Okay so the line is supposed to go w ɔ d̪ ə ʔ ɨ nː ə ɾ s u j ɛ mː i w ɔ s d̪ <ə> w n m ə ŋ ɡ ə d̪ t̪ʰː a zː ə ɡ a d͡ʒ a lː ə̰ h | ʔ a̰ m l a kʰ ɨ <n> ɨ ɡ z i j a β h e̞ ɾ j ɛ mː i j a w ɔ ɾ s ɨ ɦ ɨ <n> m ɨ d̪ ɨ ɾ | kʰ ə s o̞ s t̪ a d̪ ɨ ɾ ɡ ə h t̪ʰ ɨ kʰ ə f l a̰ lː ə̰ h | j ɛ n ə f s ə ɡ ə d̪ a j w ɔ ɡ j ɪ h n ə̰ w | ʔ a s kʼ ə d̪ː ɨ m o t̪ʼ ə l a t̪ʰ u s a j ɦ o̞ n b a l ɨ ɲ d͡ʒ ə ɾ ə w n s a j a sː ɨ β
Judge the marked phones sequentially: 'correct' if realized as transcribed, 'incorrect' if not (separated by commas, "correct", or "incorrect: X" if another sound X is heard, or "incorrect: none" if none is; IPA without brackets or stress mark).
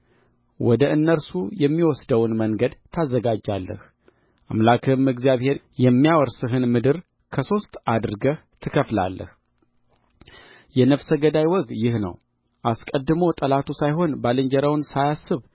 correct, incorrect: m, correct